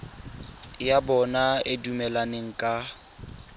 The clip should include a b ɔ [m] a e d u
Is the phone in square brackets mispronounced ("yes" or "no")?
yes